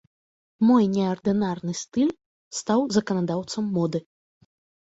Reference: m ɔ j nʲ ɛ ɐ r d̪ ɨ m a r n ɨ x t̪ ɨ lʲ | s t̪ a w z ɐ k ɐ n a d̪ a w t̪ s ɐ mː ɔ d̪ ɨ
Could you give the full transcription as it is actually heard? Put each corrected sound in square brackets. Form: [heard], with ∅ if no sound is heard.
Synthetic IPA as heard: m ɔ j nʲ ɛ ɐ r d̪ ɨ [n] a r n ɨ [s] t̪ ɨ lʲ | s t̪ a w z ɐ k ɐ n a d̪ a w t̪ s ɐ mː ɔ d̪ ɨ

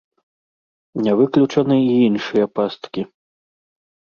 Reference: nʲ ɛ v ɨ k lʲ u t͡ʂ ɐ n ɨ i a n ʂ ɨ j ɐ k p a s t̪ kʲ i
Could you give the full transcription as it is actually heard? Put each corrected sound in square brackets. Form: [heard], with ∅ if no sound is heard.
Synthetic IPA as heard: nʲ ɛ v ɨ k lʲ u t͡ʂ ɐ n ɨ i [i] n ʂ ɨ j ɐ [∅] p a s t̪ kʲ i

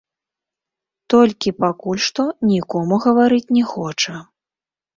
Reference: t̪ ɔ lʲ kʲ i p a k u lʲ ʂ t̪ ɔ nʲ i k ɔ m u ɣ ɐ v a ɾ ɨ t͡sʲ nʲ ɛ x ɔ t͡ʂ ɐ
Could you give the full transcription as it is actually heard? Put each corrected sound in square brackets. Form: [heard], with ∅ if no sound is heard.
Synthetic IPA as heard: t̪ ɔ lʲ kʲ i p a k u lʲ ʂ t̪ ɔ nʲ i k ɔ m u ɣ ɐ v a ɾ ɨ t͡sʲ nʲ ɛ x ɔ t͡ʂ ɐ

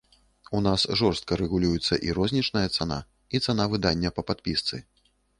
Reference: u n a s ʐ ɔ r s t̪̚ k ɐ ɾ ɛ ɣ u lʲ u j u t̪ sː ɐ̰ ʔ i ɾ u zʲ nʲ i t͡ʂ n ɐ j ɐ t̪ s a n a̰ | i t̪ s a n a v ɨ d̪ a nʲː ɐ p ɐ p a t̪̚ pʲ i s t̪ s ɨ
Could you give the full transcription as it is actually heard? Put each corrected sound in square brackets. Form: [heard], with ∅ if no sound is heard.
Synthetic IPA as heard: u n a s ʐ ɔ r s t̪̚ k ɐ ɾ ɛ ɣ u lʲ u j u t̪ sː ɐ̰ ʔ i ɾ [ɔ] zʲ nʲ i t͡ʂ n ɐ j ɐ t̪ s a n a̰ | i t̪ s a n a v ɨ d̪ a nʲː ɐ p ɐ p a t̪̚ pʲ i s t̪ s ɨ

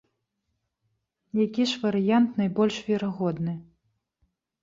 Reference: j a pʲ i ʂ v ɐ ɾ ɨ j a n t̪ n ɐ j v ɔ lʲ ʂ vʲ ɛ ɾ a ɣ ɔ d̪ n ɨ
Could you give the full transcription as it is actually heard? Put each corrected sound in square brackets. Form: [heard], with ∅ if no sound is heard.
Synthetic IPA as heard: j a [kʲ] i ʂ v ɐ ɾ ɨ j a n t̪ n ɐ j [b] ɔ lʲ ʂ vʲ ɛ ɾ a ɣ ɔ d̪ n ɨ

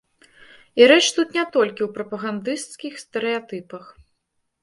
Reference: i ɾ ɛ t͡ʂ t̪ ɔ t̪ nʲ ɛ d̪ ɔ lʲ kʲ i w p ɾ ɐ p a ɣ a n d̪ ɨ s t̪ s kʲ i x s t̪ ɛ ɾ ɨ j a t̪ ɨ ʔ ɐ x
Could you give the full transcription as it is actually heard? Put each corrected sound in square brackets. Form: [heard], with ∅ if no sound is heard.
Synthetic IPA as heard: i ɾ ɛ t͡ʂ t̪ [u] t̪ nʲ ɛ [t̪] ɔ lʲ kʲ i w p ɾ ɐ p [ɐ] ɣ a n d̪ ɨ s t̪ s kʲ i x s t̪ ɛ ɾ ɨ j a t̪ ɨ [p] ɐ x

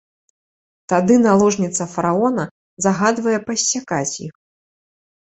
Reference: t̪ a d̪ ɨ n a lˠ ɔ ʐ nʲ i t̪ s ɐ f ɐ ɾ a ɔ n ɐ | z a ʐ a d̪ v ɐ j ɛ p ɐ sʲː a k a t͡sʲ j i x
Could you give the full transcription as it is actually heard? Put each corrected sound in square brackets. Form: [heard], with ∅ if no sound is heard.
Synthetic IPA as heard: t̪ a d̪ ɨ n a lˠ ɔ ʐ nʲ i t̪ s ɐ f ɐ ɾ a ɔ n ɐ | z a [ɣ] a d̪ v ɐ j ɛ p ɐ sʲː a k a t͡sʲ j i x

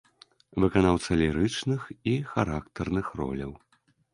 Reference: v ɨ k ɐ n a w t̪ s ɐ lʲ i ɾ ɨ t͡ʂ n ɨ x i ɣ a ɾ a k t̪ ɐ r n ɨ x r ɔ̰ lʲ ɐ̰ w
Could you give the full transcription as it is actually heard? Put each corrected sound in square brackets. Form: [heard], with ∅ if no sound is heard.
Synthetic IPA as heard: v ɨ k [a] n a w t̪ s ɐ lʲ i ɾ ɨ t͡ʂ n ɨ x i [x] a ɾ a k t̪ ɐ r n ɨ x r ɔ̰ lʲ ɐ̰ w

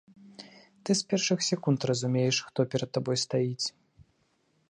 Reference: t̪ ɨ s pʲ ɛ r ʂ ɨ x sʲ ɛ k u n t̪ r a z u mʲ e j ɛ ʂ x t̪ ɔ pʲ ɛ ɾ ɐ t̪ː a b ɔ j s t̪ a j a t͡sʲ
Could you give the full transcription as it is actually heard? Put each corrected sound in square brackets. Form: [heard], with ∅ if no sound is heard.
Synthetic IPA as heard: t̪ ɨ s pʲ ɛ r ʂ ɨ x sʲ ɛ k u n t̪ r [ɐ] z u mʲ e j ɛ ʂ x t̪ ɔ pʲ ɛ ɾ ɐ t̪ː a b ɔ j s t̪ a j [i] t͡sʲ

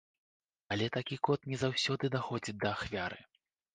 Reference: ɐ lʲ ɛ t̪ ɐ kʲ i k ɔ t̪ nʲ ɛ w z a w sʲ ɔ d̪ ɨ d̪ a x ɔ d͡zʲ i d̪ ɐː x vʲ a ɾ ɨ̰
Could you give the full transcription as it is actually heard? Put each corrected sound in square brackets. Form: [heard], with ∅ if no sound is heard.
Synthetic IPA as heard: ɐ lʲ ɛ t̪ [a] kʲ i k ɔ t̪ nʲ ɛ [∅] z a w sʲ ɔ d̪ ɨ d̪ a x ɔ d͡zʲ i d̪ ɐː x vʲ a ɾ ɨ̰

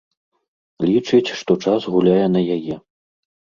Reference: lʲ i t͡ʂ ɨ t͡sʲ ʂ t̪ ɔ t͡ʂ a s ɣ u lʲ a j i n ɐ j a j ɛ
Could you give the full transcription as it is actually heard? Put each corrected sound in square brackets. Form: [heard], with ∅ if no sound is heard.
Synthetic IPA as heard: lʲ i t͡ʂ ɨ t͡sʲ ʂ t̪ ɔ t͡ʂ a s ɣ u lʲ a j [ɛ] n ɐ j a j ɛ

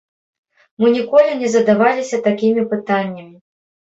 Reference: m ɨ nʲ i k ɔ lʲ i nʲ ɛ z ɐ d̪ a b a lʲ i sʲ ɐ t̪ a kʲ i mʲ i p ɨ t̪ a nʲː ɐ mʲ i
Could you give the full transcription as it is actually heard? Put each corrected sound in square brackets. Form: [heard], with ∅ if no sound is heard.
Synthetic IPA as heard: m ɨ nʲ i k ɔ lʲ i nʲ ɛ z ɐ d̪ a [v] a lʲ i sʲ ɐ t̪ a kʲ i mʲ i p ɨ t̪ a nʲː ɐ mʲ i

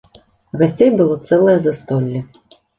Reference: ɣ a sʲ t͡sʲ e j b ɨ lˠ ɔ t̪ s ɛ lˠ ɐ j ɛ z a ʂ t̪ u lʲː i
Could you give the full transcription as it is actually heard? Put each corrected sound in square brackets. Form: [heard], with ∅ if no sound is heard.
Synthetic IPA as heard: ɣ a sʲ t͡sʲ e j b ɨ lˠ ɔ t̪ s ɛ lˠ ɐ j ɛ z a [s] t̪ [ɔ] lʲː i

